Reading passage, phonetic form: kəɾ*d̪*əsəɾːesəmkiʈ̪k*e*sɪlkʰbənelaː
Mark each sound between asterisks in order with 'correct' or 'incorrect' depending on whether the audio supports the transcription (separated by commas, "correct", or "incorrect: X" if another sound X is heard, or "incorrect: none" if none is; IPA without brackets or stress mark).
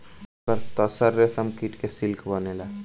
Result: incorrect: t̪, correct